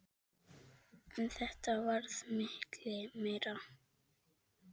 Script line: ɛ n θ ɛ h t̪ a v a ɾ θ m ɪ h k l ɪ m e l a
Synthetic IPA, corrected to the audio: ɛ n θ ɛ h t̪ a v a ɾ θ m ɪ h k l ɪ m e ɾ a